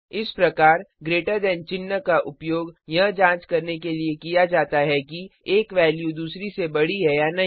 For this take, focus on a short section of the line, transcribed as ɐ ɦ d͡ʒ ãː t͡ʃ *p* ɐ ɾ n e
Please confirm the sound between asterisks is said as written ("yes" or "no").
no